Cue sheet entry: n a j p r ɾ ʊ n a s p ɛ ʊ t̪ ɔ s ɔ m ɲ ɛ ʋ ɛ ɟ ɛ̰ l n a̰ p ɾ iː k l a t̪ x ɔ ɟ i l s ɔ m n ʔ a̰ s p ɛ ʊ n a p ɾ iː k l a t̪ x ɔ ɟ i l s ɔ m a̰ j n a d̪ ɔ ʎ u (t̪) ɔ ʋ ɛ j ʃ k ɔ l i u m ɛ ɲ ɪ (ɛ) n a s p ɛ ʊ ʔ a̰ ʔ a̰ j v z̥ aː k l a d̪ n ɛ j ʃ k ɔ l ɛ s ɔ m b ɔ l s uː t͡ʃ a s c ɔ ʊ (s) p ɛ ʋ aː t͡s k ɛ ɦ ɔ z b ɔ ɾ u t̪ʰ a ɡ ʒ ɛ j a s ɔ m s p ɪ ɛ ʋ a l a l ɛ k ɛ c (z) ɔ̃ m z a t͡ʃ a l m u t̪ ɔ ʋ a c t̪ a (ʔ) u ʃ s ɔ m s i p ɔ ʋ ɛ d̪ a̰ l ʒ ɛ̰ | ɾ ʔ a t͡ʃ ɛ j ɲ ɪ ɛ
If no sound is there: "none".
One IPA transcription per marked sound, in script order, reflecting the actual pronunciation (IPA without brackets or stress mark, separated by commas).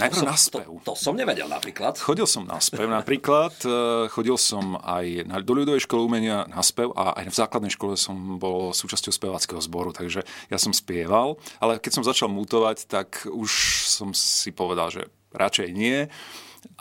d̪, a, s, s, k